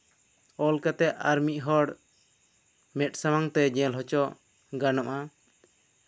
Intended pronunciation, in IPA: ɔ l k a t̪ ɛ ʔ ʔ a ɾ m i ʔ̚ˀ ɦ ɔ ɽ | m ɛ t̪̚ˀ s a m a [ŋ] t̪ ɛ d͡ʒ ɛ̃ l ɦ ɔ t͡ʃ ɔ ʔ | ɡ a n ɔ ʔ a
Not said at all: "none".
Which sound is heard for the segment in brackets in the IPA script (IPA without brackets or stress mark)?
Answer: ŋ